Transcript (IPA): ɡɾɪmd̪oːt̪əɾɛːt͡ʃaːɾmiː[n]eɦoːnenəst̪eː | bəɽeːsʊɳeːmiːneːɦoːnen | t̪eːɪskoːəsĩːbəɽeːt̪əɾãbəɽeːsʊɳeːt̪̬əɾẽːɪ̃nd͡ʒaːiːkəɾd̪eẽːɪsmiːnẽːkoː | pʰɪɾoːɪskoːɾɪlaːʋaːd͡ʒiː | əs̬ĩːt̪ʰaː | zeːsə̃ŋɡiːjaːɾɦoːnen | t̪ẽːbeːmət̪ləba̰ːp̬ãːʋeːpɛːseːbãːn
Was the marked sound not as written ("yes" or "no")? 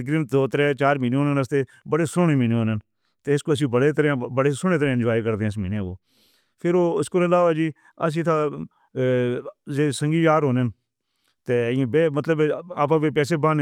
no